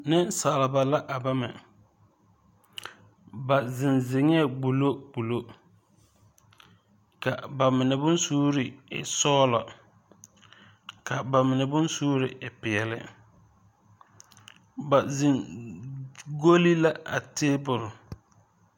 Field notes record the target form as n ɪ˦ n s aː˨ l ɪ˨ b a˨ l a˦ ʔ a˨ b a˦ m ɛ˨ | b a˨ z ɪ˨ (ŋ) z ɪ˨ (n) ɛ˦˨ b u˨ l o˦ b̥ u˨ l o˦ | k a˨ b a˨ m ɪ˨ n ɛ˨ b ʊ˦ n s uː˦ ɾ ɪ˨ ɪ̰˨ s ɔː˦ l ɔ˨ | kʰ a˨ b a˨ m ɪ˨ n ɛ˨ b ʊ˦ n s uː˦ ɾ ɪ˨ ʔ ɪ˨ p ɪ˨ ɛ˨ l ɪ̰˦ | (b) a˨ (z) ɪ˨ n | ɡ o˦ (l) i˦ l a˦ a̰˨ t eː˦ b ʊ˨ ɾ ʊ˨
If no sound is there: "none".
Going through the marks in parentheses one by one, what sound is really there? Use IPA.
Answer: n, ŋ, b, z, l

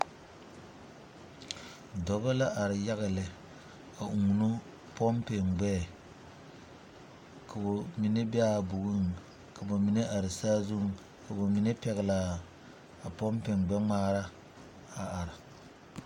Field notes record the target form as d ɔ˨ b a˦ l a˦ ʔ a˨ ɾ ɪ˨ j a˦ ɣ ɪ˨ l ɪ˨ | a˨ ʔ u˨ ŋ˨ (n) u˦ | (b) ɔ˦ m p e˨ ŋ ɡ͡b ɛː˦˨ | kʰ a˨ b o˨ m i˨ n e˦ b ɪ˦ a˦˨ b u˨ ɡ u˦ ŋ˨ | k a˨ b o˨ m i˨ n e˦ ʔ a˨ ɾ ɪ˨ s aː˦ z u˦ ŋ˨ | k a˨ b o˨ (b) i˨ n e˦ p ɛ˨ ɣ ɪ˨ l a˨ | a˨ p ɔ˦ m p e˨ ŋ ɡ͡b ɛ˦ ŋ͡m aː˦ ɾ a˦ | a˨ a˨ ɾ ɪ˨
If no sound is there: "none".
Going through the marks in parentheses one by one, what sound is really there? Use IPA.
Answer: n, p, m

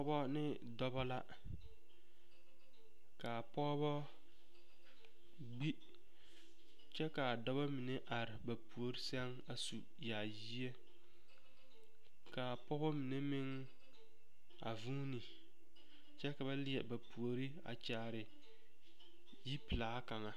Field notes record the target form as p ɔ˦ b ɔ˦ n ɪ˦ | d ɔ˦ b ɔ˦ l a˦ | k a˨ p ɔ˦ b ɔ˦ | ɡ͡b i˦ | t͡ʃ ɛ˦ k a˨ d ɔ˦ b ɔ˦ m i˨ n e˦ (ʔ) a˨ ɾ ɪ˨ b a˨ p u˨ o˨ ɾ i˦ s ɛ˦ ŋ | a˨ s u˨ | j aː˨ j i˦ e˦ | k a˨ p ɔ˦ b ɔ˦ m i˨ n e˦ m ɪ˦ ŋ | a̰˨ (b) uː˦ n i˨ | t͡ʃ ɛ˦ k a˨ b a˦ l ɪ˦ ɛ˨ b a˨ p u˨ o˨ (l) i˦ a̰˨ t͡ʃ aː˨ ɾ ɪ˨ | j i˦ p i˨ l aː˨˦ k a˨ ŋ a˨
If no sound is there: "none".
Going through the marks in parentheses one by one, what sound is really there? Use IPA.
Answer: ʔ, v, ɾ

